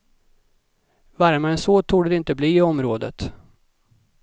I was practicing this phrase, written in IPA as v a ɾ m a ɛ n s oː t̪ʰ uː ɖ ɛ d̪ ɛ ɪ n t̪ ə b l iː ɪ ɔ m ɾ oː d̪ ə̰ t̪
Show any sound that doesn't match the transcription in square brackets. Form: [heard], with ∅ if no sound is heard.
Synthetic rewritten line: v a ɾ m a ɛ n s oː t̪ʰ uː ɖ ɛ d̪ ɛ ɪ n t̪ ə b l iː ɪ ɔ m ɾ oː d̪ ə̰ t̪